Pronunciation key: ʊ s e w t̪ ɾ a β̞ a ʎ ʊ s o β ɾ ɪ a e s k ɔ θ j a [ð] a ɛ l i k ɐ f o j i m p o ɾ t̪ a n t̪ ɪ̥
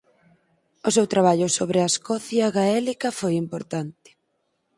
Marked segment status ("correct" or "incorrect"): incorrect